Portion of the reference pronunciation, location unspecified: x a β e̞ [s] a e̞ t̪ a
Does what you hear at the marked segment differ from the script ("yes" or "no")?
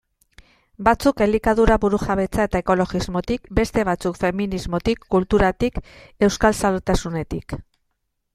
yes